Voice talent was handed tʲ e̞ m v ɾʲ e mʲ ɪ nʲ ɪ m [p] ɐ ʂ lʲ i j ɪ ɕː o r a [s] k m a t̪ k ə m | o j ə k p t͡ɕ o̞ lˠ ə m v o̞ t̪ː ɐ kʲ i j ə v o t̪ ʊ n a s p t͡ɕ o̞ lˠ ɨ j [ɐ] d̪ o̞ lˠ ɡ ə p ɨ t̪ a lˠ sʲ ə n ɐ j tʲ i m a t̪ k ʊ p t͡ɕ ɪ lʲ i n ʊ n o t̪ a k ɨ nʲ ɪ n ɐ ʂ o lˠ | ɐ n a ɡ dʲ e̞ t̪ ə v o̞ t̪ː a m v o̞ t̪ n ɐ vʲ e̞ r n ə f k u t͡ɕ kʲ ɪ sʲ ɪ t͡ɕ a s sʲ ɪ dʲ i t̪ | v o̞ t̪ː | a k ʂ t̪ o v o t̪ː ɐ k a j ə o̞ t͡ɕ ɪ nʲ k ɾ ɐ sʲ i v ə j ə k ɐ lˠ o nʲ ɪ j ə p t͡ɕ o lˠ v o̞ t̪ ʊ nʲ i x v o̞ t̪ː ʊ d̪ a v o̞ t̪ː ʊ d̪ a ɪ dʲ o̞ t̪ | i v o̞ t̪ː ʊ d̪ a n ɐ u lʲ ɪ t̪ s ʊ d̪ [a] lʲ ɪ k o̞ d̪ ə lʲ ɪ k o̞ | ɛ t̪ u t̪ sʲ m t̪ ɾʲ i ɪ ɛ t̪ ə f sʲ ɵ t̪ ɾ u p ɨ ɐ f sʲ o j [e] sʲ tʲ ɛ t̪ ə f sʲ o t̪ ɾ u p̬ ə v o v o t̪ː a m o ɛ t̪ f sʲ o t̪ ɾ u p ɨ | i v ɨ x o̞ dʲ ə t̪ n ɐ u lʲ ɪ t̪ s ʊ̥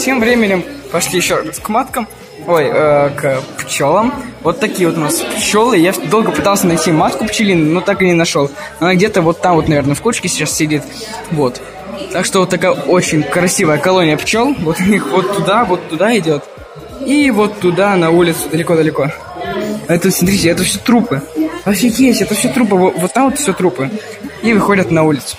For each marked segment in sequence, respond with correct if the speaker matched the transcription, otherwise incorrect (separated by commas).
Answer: correct, correct, incorrect, incorrect, correct